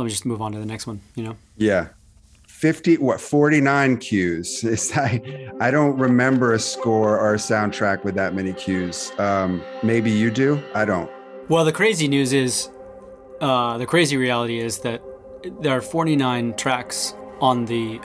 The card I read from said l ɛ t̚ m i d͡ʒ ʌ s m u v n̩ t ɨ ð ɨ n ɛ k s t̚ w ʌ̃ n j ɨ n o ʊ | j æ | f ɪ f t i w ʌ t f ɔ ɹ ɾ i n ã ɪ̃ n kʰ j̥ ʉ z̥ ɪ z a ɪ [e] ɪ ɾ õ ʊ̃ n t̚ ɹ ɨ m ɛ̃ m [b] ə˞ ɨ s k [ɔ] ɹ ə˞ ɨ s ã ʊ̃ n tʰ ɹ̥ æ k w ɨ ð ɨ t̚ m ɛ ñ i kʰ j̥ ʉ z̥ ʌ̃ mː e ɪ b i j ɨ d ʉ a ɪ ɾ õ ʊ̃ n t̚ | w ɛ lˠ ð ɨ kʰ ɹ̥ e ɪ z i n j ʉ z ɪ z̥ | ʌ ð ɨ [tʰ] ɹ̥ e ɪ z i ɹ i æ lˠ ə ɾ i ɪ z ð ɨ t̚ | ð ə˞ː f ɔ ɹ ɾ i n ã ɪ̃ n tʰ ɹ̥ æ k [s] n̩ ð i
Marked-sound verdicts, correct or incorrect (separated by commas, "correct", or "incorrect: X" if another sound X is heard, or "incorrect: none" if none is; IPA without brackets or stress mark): incorrect: a, correct, correct, incorrect: kʰ, correct